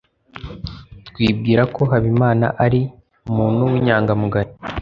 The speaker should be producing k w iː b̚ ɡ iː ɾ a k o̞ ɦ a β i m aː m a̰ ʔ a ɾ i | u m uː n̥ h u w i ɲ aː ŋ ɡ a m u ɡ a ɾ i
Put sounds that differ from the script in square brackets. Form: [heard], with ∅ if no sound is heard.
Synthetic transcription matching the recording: [t] w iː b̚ ɡ iː ɾ a k o̞ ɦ a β i m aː [n] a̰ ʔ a ɾ i | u m uː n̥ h u w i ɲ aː ŋ ɡ a m u ɡ a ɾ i